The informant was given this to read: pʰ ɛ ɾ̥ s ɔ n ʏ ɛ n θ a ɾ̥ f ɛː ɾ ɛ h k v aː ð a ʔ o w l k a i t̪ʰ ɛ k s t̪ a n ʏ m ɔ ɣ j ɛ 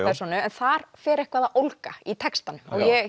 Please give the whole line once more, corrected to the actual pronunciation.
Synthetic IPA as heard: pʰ ɛ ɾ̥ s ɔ n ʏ ɛ n θ a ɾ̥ f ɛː ɾ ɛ h k v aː ð a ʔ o w l k a i t̪ʰ ɛ k s t̪ a n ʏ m ɔ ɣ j ɛ